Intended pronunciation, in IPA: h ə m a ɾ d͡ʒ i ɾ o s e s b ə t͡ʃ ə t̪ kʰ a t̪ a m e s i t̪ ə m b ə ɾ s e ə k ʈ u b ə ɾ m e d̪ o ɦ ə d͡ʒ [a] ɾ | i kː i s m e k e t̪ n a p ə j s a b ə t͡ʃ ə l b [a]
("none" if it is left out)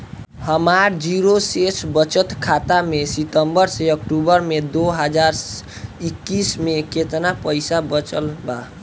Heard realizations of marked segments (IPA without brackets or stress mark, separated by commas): a, a